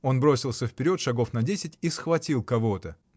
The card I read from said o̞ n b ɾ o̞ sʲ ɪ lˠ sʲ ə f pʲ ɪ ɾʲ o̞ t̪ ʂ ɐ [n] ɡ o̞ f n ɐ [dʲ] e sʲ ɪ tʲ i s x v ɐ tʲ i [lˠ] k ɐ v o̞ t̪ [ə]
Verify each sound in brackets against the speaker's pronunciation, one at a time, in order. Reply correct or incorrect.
incorrect, correct, correct, correct

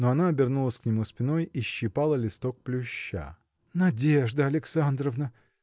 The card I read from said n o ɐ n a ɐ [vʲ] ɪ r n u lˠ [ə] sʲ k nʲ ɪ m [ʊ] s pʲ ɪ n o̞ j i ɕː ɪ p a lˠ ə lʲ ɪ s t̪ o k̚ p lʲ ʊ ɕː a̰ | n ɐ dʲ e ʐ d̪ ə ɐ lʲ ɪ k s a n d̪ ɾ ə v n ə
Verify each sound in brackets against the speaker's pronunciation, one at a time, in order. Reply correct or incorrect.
incorrect, correct, incorrect

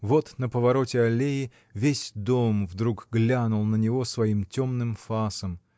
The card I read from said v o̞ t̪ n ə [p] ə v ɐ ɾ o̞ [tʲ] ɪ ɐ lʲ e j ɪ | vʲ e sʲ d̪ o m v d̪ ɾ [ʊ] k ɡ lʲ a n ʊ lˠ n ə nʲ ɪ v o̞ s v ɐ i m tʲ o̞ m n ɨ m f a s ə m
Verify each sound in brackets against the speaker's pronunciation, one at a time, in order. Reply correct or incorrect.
correct, correct, incorrect

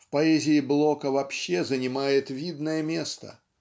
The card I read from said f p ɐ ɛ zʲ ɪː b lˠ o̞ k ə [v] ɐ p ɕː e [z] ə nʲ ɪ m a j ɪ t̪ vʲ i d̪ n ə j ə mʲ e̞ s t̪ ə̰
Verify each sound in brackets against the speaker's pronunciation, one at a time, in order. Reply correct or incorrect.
correct, correct

